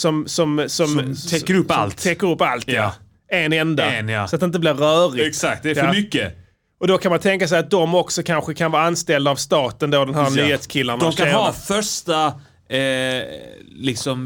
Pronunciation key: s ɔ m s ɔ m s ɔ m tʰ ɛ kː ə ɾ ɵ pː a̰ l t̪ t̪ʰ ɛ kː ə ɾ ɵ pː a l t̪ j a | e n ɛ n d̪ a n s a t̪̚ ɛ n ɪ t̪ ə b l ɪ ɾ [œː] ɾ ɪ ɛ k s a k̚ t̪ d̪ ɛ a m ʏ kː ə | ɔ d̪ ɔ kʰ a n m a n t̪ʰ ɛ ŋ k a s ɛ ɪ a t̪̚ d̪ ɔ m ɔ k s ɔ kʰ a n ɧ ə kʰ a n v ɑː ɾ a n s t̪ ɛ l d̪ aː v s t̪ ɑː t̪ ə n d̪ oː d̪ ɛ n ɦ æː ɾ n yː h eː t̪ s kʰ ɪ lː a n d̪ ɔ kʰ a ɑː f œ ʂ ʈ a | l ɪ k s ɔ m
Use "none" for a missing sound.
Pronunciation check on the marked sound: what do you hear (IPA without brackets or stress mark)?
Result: œː